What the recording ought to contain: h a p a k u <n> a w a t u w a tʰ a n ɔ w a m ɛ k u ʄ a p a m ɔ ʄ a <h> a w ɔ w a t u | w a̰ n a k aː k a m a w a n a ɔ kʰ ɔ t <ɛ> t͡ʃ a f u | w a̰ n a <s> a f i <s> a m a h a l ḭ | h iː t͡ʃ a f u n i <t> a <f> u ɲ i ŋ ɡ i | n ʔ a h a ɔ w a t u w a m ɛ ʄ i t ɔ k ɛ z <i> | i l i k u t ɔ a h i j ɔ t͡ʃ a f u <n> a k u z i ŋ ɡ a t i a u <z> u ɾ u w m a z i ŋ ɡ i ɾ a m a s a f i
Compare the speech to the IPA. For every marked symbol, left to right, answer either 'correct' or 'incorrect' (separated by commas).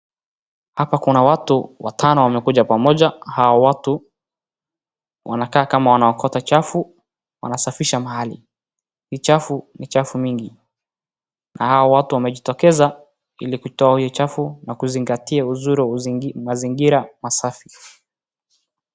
correct, correct, incorrect, correct, incorrect, incorrect, correct, incorrect, correct, correct